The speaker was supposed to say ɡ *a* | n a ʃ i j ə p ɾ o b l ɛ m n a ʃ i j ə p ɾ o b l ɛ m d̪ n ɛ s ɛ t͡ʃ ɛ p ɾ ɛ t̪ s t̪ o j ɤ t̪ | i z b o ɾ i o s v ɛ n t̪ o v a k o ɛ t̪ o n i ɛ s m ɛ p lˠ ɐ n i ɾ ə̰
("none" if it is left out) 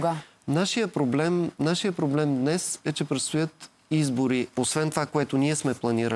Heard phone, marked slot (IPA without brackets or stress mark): a